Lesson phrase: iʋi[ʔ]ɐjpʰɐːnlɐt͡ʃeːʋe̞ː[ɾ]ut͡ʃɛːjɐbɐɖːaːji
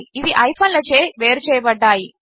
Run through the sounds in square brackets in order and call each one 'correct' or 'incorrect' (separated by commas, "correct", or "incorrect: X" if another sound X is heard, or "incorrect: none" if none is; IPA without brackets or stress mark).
correct, correct